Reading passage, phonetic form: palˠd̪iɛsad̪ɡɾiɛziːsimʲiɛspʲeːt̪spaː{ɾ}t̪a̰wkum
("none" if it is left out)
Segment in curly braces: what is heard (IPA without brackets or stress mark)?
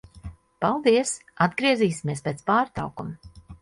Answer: ɾ